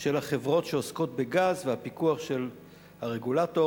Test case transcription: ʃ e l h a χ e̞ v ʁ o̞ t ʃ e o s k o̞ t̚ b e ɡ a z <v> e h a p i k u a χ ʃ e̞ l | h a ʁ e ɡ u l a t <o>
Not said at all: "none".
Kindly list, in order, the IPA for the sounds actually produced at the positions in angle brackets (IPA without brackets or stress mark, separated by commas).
v, o